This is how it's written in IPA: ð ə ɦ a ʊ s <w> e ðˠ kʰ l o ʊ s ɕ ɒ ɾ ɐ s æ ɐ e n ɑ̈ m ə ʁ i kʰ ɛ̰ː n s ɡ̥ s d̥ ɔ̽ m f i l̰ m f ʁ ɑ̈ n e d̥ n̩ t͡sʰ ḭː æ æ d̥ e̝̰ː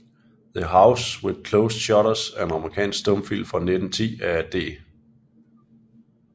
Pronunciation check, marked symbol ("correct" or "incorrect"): correct